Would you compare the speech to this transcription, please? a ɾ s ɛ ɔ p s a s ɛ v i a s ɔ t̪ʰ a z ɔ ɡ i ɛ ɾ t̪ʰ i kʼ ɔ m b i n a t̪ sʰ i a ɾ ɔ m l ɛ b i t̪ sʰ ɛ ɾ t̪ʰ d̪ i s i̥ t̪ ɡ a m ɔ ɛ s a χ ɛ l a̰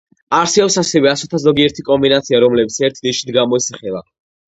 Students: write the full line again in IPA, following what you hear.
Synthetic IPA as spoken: a ɾ s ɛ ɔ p s a s ɛ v ɛ a s ɔ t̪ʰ a z ɔ ɡ i ɛ ɾ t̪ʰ i kʼ ɔ m b i n a t̪ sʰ i a ɾ ɔ m l ɛ b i t̪ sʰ ɛ ɾ t̪ʰ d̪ i ʃ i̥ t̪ ɡ a m ɔ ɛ s a χ ɛ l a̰